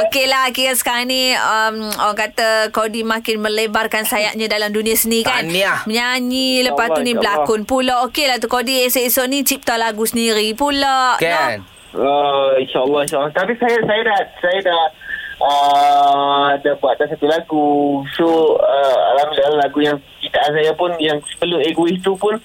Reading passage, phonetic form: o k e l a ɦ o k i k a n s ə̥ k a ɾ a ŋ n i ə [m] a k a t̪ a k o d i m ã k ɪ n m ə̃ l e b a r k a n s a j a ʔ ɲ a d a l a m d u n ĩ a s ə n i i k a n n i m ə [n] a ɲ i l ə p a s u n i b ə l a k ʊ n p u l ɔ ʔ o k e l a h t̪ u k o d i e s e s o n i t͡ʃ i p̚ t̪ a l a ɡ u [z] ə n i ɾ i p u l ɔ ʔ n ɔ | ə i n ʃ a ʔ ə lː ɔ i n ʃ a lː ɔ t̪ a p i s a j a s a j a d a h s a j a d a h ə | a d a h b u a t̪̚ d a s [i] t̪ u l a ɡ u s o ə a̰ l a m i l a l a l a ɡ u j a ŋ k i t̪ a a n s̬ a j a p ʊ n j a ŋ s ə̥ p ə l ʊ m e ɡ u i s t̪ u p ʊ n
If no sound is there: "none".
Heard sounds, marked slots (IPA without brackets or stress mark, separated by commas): m, ɲ, s, a